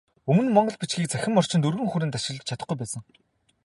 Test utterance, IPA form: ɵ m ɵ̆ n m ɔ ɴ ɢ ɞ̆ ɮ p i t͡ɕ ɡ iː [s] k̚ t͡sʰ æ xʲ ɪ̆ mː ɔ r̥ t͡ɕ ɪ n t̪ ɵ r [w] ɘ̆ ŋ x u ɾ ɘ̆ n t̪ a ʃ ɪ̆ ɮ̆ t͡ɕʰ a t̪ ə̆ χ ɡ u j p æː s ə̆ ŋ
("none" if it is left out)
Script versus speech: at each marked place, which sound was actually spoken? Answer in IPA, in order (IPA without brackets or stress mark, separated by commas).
none, ɣ